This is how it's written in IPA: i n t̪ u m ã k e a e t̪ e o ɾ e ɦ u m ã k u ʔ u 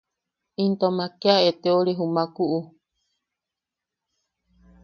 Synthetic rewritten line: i n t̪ o m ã k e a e t̪ e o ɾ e ɦ u m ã k u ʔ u